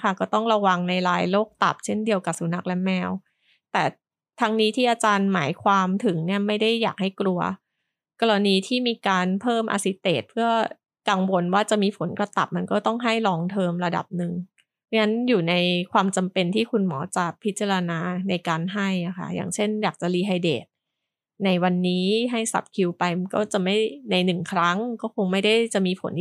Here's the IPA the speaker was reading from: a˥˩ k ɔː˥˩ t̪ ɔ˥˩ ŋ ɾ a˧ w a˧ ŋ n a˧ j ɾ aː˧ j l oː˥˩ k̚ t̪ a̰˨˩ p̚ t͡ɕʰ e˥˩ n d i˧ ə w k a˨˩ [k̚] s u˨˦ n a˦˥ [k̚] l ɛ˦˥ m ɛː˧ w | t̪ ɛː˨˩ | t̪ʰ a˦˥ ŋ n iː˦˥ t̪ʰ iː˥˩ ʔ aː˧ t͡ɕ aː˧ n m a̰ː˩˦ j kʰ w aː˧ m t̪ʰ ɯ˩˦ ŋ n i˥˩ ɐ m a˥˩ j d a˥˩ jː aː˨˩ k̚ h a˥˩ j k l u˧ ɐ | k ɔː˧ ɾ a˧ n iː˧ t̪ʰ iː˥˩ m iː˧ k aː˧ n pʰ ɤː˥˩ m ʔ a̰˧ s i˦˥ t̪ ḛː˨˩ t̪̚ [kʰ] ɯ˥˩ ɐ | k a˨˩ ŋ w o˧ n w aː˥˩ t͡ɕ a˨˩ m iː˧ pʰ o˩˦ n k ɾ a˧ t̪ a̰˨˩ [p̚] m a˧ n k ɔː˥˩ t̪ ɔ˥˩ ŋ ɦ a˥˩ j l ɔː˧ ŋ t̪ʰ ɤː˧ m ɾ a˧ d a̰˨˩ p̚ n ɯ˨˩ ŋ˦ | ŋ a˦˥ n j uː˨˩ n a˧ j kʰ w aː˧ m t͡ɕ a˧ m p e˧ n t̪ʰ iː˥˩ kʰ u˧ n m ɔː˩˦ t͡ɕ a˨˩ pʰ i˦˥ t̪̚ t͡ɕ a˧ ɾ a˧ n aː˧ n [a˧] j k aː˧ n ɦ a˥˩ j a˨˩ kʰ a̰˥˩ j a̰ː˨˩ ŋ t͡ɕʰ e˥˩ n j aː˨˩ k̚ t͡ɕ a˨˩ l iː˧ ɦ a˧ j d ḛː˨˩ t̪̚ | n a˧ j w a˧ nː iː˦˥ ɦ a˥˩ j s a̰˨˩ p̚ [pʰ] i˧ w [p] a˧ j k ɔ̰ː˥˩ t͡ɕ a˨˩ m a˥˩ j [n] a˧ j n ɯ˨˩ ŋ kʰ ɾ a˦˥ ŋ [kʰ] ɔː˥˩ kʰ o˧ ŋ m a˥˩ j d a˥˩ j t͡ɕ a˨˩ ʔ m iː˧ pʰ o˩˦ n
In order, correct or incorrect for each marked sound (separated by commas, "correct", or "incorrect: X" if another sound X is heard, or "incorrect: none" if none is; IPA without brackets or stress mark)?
incorrect: p̚, correct, incorrect: pʰ, correct, correct, incorrect: kʰ, correct, correct, incorrect: k